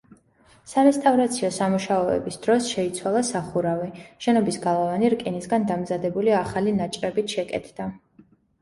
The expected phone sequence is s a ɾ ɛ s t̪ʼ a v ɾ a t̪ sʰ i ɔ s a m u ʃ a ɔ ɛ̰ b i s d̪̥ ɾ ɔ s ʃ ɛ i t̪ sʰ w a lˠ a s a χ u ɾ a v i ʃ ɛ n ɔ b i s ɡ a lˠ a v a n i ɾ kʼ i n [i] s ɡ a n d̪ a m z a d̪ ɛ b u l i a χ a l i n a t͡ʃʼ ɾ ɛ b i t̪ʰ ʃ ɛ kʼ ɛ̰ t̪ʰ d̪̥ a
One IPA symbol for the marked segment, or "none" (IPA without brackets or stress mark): i